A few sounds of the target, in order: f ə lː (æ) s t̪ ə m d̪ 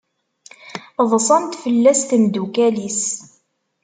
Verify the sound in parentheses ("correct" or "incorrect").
correct